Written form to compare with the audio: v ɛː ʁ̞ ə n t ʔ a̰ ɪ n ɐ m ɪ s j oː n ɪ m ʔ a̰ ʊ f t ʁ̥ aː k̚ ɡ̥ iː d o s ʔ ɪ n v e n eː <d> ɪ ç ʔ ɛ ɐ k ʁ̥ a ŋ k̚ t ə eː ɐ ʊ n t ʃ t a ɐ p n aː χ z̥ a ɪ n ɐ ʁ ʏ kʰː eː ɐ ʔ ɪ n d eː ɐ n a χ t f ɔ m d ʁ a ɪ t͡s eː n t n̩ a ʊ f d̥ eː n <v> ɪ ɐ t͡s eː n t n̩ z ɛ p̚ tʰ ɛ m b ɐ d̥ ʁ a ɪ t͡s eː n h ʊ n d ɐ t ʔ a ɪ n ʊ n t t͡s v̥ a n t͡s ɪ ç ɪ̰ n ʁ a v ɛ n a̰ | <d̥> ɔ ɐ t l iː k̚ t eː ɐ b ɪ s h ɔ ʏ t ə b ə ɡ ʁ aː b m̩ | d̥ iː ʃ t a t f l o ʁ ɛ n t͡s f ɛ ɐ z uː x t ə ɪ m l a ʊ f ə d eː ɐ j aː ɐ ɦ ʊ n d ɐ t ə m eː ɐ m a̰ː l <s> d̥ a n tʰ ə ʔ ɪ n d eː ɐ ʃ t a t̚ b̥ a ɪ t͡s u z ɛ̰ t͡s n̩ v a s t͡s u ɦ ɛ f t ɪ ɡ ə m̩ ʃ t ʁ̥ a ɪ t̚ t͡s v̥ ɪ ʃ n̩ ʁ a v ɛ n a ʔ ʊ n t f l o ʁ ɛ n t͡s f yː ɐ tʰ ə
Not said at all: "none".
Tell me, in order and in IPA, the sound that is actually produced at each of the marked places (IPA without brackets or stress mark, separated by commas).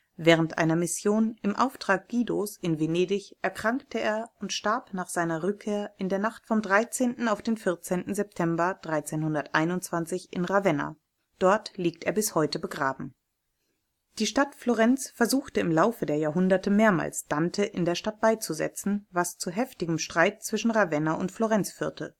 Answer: d, f, d̥, s